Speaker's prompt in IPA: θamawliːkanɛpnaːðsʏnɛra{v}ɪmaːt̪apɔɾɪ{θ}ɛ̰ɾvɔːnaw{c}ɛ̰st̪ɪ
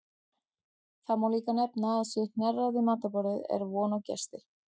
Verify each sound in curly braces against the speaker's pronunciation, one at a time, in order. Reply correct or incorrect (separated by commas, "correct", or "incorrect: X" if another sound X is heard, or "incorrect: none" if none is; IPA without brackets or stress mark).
incorrect: ð, incorrect: ð, correct